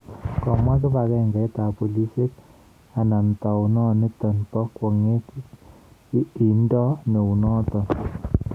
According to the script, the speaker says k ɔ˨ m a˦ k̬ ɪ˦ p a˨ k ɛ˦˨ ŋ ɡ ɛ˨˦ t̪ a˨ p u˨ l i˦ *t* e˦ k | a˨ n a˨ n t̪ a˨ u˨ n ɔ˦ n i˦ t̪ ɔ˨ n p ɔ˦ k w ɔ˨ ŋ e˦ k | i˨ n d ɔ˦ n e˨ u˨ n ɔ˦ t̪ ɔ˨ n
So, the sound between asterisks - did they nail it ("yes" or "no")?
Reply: no